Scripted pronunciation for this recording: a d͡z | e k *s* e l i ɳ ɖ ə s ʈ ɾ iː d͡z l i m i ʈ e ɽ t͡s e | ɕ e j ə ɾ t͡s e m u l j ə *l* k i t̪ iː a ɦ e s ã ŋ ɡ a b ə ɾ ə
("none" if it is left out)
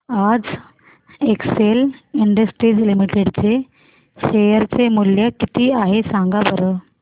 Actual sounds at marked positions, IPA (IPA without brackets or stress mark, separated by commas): s, none